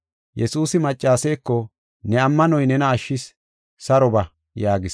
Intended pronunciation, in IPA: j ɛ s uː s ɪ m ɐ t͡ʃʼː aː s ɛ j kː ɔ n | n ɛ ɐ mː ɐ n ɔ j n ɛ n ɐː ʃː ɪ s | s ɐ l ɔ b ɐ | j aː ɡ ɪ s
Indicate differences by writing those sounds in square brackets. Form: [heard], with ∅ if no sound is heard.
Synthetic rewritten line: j ɛ s uː s ɪ m ɐ t͡ʃʼː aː s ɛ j kː ɔ [∅] | n ɛ ɐ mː ɐ n ɔ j n ɛ n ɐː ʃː ɪ s | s ɐ [ɾ] ɔ b ɐ | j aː ɡ ɪ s